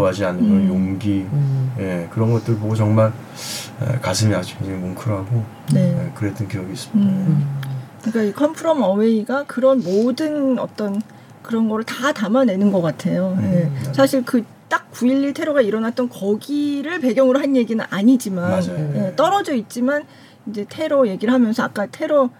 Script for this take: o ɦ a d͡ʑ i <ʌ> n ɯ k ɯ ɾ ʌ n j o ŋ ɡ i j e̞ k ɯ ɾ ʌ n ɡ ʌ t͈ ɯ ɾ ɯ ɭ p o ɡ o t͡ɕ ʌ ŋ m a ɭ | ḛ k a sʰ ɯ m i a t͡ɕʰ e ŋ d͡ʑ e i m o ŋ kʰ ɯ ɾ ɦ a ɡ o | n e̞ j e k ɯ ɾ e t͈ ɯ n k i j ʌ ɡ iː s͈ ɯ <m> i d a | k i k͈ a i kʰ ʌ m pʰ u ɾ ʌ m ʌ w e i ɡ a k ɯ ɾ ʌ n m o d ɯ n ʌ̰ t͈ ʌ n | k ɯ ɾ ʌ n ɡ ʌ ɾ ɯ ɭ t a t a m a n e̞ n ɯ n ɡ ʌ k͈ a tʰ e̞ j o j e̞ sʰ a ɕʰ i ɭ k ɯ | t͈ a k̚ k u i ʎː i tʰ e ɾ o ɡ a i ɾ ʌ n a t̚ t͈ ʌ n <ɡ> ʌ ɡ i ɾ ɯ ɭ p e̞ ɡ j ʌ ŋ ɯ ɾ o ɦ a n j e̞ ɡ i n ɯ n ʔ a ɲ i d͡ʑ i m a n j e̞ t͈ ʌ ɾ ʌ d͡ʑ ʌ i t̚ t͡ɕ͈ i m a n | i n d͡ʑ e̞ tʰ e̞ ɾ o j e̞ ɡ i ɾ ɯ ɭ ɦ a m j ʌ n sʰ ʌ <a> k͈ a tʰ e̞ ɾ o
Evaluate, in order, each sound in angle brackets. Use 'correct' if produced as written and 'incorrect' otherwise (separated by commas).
incorrect, correct, incorrect, correct